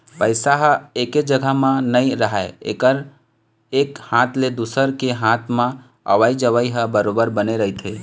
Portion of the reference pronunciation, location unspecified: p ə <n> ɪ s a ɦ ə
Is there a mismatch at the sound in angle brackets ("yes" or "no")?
yes